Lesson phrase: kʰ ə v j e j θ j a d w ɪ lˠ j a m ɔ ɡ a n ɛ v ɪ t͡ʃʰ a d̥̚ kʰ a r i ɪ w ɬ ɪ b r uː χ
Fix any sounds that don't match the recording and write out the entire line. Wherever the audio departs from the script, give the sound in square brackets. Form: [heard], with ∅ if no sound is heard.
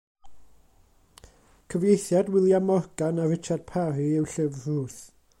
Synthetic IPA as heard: kʰ ə v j e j θ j a d w ɪ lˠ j a m ɔ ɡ a n [a] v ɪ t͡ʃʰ a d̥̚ [pʰ] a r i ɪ w ɬ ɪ [v] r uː [θ]